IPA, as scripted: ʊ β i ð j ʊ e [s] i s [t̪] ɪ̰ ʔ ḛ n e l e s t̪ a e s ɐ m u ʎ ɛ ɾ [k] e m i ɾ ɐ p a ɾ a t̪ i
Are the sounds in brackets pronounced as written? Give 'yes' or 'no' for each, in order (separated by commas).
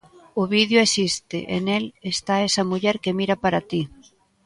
yes, yes, yes